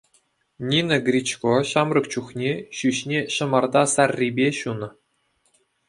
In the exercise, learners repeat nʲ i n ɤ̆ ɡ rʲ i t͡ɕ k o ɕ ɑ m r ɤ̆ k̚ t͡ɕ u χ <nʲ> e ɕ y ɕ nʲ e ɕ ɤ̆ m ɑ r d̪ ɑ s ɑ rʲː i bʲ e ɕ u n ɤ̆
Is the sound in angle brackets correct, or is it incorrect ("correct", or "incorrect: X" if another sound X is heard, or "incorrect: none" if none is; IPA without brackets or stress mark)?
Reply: correct